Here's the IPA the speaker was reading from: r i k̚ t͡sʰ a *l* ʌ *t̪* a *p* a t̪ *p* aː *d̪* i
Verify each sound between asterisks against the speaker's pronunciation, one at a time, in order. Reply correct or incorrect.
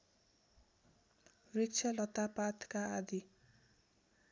correct, correct, correct, incorrect: k, correct

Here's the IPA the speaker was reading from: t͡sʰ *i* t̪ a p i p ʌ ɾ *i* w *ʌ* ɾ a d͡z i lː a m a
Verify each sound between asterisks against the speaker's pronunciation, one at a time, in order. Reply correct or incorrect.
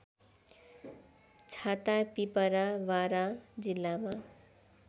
incorrect: a, incorrect: a, incorrect: a

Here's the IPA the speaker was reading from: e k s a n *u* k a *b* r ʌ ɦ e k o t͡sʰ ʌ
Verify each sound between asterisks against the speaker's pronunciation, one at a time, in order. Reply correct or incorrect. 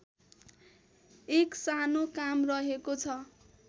incorrect: o, incorrect: m

